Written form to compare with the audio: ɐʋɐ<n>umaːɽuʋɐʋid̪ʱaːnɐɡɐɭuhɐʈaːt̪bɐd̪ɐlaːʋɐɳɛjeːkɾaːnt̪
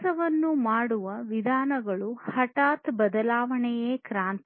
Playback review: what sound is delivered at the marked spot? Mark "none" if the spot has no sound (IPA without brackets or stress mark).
nː